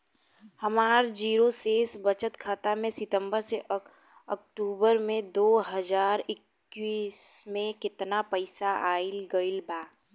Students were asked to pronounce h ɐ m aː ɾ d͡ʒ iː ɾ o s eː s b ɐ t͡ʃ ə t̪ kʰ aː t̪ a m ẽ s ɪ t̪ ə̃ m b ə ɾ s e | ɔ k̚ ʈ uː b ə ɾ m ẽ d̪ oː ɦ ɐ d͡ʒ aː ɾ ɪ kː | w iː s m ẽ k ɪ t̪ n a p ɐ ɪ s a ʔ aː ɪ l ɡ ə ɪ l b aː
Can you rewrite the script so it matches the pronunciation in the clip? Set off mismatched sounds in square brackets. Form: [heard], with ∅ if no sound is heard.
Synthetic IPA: h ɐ m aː ɾ d͡ʒ iː ɾ o s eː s b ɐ t͡ʃ ə t̪ kʰ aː t̪ a m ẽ s ɪ t̪ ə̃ m b ə ɾ s e | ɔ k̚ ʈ uː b ə ɾ m ẽ d̪ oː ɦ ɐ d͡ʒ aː ɾ ɪ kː | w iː s m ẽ k ɪ t̪ n a p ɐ ɪ s a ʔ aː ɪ l ɡ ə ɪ l b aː